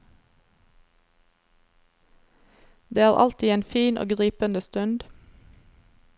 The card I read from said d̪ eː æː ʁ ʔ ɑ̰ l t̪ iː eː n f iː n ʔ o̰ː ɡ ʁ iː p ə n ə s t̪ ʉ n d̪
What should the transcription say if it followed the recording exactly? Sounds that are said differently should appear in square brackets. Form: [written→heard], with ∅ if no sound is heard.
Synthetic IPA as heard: d̪ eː æː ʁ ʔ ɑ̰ l t̪ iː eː n f iː n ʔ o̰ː ɡ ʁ iː p ə n ə s t̪ ʉ n d̪